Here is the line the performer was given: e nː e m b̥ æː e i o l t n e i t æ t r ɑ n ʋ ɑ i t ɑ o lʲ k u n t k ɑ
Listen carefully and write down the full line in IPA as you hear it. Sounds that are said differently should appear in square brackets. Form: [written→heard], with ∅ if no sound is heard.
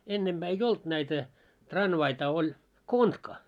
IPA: e nː e m b̥ æː e i o l t n [e→æ] i t æ t r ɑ n ʋ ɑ i t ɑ o lʲ k [u→o] n t k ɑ